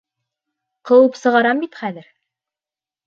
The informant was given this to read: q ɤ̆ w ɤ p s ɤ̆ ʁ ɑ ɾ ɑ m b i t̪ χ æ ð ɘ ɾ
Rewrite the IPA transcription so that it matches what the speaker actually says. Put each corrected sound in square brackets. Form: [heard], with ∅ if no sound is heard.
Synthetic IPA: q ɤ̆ w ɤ p s ɤ̆ ʁ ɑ ɾ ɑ m b i t̪ χ æ ð ɘ ɾ

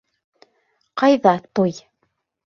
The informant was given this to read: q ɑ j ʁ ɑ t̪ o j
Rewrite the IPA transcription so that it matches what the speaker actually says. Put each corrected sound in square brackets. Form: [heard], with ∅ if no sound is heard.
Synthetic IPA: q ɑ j [ð] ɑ t̪ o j

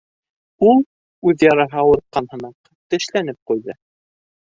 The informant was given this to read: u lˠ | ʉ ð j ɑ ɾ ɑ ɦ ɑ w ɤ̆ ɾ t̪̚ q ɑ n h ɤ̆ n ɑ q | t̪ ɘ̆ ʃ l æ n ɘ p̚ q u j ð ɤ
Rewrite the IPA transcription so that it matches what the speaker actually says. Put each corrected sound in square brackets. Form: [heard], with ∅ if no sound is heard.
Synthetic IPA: u lˠ | ʉ ð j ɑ ɾ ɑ ɦ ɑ w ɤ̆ ɾ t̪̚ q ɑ n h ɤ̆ n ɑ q | t̪ ɘ̆ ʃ l æ n ɘ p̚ q u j ð ɤ

